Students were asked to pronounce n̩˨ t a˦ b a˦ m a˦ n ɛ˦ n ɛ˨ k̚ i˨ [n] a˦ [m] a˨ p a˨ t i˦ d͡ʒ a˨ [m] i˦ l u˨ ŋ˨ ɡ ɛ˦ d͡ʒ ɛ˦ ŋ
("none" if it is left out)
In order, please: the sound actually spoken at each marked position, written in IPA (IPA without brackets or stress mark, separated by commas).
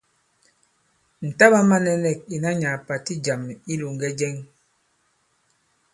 n, ɲ, m